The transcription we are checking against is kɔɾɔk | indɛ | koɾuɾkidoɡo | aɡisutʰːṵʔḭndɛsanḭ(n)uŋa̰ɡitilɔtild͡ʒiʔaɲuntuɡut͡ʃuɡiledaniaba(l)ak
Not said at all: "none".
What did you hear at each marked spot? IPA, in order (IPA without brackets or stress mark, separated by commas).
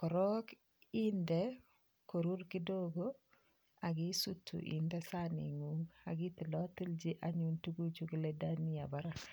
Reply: ŋ, ɾ